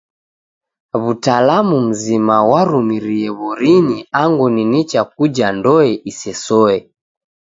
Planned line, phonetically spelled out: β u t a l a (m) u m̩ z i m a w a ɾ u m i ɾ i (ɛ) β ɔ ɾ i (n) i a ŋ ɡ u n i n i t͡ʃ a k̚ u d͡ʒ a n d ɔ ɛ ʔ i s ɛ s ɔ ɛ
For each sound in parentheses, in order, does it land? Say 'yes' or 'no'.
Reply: yes, yes, yes

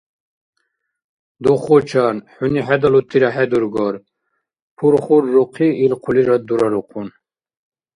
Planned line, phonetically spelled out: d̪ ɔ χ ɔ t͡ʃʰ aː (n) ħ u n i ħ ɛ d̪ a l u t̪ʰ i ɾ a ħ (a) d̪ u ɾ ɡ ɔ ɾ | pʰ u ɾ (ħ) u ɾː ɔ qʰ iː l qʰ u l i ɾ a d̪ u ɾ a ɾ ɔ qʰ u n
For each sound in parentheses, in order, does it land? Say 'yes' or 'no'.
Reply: yes, no, no

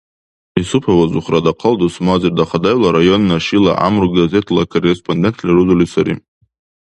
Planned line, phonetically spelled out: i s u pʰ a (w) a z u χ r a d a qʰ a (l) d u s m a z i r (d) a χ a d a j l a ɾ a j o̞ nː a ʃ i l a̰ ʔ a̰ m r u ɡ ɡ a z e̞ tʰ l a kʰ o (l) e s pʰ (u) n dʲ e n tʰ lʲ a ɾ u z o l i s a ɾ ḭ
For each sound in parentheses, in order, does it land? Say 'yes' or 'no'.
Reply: yes, yes, yes, no, no

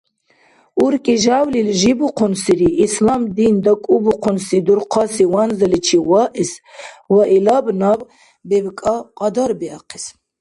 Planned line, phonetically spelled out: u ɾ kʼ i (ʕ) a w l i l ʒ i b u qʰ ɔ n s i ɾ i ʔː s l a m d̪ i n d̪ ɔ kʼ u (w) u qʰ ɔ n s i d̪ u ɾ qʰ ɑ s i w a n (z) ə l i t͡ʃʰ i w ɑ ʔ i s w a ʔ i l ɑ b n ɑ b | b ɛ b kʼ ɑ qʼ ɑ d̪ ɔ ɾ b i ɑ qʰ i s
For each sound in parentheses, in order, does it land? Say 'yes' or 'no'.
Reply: no, no, yes

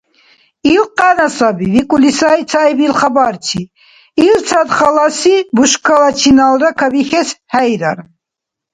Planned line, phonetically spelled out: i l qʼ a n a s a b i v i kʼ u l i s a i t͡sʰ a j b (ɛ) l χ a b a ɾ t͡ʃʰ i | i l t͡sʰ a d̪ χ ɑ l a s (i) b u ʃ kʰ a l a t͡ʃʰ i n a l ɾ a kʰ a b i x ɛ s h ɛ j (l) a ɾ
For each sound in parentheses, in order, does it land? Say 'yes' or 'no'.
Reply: no, yes, no

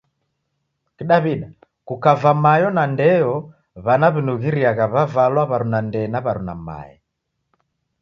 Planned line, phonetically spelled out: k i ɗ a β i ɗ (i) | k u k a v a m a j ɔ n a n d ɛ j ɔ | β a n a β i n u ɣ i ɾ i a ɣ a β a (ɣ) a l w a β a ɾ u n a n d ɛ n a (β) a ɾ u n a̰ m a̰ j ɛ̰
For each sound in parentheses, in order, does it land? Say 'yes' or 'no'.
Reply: no, no, yes

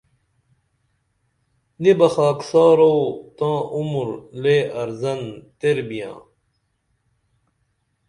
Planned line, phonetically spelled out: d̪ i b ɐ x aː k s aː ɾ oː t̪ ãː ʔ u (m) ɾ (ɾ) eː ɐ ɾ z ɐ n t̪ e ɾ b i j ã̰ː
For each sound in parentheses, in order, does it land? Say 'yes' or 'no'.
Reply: yes, no

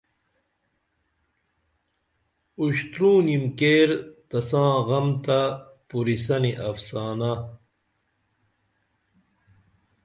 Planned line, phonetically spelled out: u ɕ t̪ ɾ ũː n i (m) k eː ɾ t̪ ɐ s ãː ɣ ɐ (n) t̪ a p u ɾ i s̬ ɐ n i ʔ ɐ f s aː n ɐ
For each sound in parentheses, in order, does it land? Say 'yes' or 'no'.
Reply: yes, no

